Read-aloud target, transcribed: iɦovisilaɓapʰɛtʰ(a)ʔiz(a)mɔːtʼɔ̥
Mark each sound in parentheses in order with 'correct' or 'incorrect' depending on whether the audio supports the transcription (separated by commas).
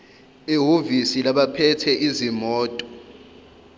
incorrect, incorrect